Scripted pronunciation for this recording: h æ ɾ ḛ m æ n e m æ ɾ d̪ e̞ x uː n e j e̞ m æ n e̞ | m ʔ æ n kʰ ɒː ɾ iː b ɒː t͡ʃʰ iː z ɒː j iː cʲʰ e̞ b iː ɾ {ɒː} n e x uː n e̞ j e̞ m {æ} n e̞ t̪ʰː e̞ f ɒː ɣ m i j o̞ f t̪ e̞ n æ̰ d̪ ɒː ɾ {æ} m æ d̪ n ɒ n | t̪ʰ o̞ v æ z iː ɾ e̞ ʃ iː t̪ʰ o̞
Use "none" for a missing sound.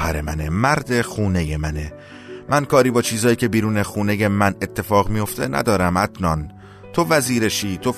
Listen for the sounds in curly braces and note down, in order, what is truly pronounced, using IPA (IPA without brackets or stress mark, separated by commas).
uː, æ, æ